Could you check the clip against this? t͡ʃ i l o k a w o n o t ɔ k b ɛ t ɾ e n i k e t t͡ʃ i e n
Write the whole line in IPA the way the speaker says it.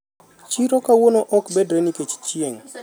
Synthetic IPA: t͡ʃ i ɾ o k a w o n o ʔ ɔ k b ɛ d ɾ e n i k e t͡ʃ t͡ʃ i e ŋ